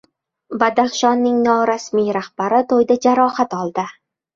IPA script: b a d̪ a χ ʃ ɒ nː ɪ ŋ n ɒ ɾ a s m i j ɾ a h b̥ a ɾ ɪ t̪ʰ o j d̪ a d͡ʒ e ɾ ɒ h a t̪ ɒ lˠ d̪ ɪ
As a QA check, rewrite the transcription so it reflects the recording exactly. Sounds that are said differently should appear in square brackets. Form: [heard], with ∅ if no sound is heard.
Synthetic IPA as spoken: b a d̪ a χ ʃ ɒ nː ɪ ŋ n ɒ ɾ a s m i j ɾ a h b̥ a ɾ ɪ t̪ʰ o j d̪ a d͡ʒ [a] ɾ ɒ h a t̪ ɒ lˠ d̪ ɪ